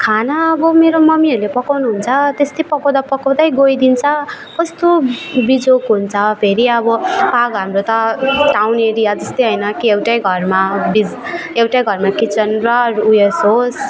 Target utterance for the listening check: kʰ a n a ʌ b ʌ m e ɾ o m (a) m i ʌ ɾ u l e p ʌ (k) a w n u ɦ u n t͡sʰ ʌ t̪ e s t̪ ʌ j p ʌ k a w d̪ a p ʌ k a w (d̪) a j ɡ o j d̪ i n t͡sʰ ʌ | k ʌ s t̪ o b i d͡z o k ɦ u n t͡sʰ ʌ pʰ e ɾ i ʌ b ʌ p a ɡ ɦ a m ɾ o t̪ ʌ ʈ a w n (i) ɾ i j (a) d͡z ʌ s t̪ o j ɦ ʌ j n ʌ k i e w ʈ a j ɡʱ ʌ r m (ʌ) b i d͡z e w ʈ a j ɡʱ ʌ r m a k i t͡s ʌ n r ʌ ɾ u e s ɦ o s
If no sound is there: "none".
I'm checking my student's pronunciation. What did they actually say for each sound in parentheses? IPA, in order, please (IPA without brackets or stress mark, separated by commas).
ʌ, k, d̪, e, a, a